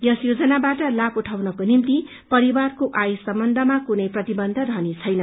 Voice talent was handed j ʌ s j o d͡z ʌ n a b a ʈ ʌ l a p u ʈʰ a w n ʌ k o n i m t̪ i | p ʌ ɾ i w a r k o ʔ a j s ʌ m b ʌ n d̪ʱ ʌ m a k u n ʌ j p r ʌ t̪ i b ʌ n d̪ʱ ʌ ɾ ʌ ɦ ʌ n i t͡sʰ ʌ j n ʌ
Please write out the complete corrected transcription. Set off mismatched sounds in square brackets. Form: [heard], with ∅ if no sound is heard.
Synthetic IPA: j ʌ s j o d͡z ʌ n a b a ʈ ʌ l a p u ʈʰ a w n ʌ k o n i m t̪ i | p ʌ ɾ i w a r k o ʔ a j s ʌ m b ʌ n d̪ʱ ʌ m a k u n ʌ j p r ʌ t̪ i b ʌ n d̪ʱ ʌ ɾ ʌ ɦ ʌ n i t͡sʰ ʌ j n ʌ

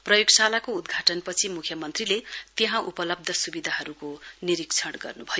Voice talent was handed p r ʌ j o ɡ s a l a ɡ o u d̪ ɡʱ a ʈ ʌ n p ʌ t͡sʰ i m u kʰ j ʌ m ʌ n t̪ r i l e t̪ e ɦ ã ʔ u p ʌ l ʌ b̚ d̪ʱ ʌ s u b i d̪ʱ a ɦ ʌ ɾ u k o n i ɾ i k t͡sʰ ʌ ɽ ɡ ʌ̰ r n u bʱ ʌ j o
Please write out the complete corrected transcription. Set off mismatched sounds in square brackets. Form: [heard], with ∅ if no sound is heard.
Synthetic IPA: p r ʌ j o ɡ s a l a [k] o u d̪ ɡʱ a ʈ ʌ n p ʌ t͡sʰ i m u kʰ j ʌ m ʌ n t̪ r i l e t̪ e ɦ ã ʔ u p ʌ l ʌ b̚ d̪ʱ ʌ s u b i d̪ʱ a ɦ ʌ ɾ u k o n i ɾ i k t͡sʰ ʌ ɽ ɡ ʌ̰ r n u bʱ ʌ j o

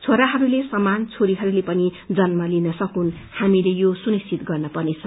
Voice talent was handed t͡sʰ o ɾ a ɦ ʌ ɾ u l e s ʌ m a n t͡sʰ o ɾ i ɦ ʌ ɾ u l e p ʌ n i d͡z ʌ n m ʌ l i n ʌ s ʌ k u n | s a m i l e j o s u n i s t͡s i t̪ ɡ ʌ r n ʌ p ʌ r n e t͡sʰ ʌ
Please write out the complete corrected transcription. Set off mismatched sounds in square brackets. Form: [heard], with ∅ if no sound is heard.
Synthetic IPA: t͡sʰ o ɾ a ɦ ʌ ɾ u l e s ʌ m a n t͡sʰ o ɾ i ɦ ʌ ɾ u l e p ʌ n i d͡z ʌ n m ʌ l i n ʌ s ʌ k u n | [h] a m i l e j o s u n i s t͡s i t̪ ɡ ʌ r n ʌ p ʌ r n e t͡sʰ ʌ

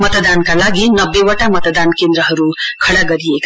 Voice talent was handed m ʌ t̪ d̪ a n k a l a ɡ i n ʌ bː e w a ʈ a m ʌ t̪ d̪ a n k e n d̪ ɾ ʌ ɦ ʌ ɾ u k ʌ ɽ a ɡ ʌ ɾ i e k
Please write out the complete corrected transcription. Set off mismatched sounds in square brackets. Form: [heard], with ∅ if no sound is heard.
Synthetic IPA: m ʌ t̪ d̪ a n k a l a ɡ i n ʌ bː e w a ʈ a m ʌ t̪ d̪ a n k e n d̪ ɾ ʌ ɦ ʌ ɾ u [kʰ] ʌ ɽ a ɡ ʌ ɾ i e k

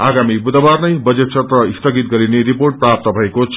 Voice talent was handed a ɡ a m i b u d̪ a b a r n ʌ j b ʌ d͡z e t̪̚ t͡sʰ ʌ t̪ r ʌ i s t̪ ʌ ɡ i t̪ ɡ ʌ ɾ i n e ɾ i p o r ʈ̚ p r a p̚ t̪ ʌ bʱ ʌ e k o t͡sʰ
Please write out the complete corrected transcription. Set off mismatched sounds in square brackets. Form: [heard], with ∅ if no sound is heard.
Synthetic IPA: a ɡ a m i b u d̪ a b a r n ʌ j b ʌ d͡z e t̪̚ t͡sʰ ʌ t̪ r ʌ i s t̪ ʌ ɡ i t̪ ɡ ʌ ɾ i n e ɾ i p o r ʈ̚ p r a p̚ t̪ ʌ bʱ ʌ e k o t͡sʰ

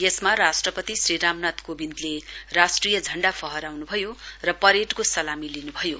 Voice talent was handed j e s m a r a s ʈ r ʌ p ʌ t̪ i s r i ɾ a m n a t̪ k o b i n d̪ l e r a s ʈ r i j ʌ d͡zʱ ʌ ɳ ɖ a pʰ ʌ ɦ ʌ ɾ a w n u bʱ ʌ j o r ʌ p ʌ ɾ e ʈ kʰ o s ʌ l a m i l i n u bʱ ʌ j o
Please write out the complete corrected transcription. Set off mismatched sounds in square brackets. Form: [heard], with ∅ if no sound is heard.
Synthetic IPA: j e s m a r a s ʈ r ʌ p ʌ t̪ i s r i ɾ a m n a t̪ k o b i n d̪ l e r a s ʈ r i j ʌ d͡zʱ ʌ ɳ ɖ a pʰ ʌ ɦ ʌ ɾ a w n u bʱ ʌ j o r ʌ p ʌ ɾ e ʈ [k] o s ʌ l a m i l i n u bʱ ʌ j o

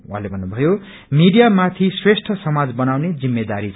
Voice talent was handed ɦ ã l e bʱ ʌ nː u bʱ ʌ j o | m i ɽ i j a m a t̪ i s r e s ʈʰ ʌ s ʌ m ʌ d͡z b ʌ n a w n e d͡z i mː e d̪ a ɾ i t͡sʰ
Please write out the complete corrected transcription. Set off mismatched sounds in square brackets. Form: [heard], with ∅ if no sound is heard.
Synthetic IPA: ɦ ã l e bʱ ʌ nː u bʱ ʌ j o | m i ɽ i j a m a [t̪ʰ] i s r e s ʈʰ ʌ s ʌ m [a] d͡z b ʌ n a w n e d͡z i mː e d̪ a ɾ i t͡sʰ

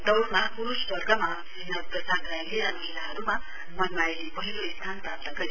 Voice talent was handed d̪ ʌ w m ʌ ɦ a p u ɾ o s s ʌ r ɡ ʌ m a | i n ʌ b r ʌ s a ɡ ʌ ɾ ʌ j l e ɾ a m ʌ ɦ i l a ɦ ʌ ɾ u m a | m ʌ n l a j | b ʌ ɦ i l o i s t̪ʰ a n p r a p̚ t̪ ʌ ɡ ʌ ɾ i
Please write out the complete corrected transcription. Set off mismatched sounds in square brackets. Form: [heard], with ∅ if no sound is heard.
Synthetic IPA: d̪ ʌ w m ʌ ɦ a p u ɾ [u] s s ʌ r ɡ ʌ m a | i n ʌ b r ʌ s a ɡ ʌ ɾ [a] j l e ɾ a m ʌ ɦ i l a ɦ ʌ ɾ u m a | m ʌ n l a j | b ʌ ɦ i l o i s t̪ʰ a n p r a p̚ t̪ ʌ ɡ ʌ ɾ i

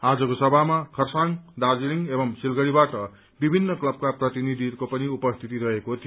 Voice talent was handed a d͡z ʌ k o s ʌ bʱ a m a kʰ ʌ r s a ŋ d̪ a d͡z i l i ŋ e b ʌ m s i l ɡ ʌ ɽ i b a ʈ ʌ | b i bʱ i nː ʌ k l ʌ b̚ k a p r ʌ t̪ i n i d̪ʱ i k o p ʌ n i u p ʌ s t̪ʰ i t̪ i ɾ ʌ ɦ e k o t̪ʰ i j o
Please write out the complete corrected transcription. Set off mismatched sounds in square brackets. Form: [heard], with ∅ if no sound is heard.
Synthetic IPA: a d͡z ʌ k o s ʌ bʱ a m a kʰ ʌ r s a ŋ d̪ a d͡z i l i ŋ e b ʌ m s i l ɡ ʌ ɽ i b a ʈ ʌ | b i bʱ i nː ʌ k l ʌ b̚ k a p r ʌ t̪ i n i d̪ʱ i k o p ʌ n i u p ʌ s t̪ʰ i t̪ i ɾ ʌ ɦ e k o t̪ʰ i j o

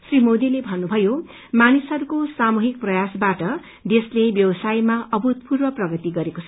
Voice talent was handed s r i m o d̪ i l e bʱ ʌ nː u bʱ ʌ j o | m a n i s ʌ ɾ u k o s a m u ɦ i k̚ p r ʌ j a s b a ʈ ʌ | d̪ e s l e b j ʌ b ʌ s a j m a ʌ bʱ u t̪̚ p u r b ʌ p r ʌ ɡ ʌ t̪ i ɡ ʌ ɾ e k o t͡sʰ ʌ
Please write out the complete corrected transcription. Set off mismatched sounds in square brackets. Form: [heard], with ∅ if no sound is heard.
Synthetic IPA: s r i m o d̪ i l e bʱ ʌ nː u bʱ ʌ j o | m a n i s ʌ ɾ u k o s a m u ɦ i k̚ p r ʌ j a s b a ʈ ʌ | d̪ e s l e b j ʌ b ʌ s a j m a ʌ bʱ u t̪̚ p u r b ʌ p r ʌ ɡ ʌ t̪ i ɡ ʌ ɾ e k o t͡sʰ ʌ

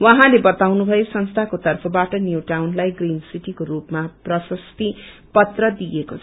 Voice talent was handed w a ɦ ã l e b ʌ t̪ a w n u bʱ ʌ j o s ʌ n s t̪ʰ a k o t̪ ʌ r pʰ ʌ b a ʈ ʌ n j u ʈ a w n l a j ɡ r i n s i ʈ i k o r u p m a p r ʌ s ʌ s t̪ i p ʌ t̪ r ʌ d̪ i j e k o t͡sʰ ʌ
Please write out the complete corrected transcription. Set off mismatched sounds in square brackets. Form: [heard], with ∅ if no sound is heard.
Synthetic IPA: w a ɦ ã l e b ʌ t̪ a w n u bʱ ʌ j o s ʌ n s t̪ʰ a k o t̪ ʌ r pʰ ʌ b a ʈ ʌ n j u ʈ a w n l a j ɡ r i n s i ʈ i k o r u p m a p r ʌ s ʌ s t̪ i p ʌ t̪ r ʌ d̪ i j e k o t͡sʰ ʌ

